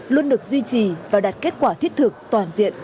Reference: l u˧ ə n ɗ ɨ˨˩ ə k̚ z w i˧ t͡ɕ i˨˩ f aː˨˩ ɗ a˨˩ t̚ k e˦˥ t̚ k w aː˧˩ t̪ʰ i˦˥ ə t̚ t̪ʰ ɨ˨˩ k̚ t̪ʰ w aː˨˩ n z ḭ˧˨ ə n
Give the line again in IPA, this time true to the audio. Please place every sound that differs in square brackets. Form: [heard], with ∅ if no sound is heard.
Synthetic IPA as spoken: l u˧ ə n ɗ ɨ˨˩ ə k̚ z w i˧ t͡ɕ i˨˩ [v] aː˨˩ ɗ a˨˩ t̚ k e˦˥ t̚ k w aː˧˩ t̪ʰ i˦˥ ə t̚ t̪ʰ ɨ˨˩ k̚ [t̪] w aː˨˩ n z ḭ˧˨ ə n